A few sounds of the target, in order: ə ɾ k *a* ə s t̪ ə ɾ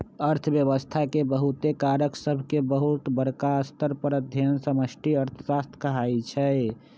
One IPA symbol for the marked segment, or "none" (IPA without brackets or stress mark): a